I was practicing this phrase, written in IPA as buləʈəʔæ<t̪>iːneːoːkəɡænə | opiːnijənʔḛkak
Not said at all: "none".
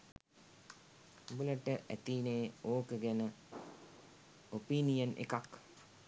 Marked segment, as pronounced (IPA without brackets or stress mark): t̪